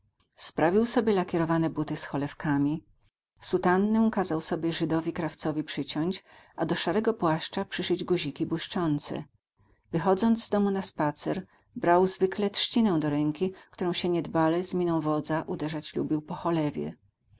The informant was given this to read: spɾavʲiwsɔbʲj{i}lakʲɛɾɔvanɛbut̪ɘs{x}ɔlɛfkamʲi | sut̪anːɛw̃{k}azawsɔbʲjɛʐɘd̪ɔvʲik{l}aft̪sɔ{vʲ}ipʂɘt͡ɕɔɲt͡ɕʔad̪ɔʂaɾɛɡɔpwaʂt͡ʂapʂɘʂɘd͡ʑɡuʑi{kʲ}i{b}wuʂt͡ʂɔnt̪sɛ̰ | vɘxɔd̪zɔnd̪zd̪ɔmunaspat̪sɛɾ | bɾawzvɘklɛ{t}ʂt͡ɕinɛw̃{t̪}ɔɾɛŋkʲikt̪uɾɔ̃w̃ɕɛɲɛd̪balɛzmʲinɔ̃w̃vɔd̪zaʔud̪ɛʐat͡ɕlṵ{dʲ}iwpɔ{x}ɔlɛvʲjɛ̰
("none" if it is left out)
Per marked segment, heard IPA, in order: ɛ, x, k, ɾ, vʲ, kʲ, b, t, d̪, bʲ, x

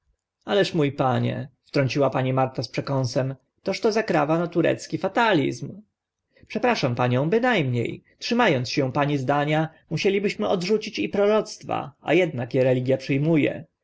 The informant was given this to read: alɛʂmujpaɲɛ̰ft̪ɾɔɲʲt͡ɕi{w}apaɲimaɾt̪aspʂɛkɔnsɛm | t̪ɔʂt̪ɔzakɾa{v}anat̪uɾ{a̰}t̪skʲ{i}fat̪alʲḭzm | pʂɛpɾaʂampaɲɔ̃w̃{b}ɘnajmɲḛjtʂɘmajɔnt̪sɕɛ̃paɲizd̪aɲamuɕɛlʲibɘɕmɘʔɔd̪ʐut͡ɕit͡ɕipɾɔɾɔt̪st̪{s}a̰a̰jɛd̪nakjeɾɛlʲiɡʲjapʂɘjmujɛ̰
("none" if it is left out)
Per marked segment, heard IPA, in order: w, v, ɛ̰, i, b, f

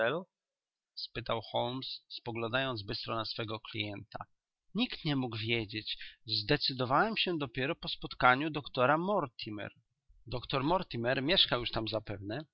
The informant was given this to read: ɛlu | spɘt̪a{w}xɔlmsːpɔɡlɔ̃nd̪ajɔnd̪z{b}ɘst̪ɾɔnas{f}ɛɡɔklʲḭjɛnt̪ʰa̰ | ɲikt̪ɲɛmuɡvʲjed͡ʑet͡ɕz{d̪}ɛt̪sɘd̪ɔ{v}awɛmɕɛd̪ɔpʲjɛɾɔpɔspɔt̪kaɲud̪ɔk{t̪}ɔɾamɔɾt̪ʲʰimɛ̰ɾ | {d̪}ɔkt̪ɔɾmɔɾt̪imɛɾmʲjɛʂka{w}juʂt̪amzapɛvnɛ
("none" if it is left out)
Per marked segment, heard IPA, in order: w, b, f, d̪, v, t̪, d̪, w

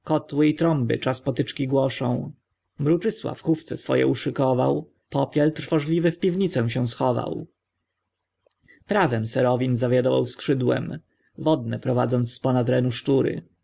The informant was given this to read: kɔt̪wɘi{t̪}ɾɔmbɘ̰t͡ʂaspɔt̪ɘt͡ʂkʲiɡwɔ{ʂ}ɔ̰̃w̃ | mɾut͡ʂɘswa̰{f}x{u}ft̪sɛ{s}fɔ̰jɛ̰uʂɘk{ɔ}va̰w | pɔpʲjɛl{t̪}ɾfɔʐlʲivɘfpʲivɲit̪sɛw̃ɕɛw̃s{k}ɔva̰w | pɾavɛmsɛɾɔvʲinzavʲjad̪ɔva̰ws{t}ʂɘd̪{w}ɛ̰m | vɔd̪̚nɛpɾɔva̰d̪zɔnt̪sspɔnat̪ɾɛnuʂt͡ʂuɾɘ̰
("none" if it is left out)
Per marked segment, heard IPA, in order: t̪, ʂ, f, u, s, ɔ, t̪, x, k, w

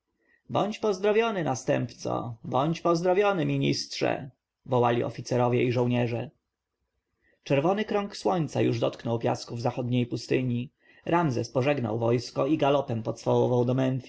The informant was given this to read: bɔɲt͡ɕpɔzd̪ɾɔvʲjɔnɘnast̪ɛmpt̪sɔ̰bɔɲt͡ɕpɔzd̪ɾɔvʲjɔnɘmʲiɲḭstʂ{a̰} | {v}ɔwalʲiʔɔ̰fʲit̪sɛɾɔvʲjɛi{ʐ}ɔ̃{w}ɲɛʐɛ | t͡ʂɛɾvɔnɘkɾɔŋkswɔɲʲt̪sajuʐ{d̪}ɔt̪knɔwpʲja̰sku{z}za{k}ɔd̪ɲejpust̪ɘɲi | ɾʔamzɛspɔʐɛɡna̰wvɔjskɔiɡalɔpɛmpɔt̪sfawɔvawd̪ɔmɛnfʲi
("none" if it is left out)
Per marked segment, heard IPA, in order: ɛ̰, v, ʐ, w, d̪, v, x

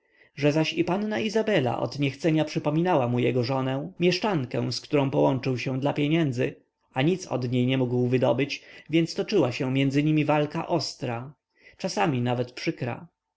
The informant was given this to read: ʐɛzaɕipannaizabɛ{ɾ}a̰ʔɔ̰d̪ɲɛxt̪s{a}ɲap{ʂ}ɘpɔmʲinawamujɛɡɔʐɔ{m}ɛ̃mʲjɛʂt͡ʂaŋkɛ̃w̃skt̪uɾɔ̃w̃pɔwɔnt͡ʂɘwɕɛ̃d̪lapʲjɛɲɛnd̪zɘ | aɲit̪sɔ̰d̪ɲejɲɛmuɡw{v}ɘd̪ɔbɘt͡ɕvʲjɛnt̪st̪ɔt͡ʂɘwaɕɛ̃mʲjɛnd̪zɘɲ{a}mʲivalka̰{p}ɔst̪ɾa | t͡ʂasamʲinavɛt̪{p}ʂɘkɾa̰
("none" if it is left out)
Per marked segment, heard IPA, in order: l, ɛ, ʂ, n, v, i, ʔ, p

